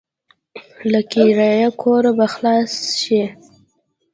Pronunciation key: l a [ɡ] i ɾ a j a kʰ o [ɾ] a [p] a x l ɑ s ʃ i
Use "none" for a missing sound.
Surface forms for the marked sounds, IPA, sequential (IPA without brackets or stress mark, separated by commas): k, ɾ, b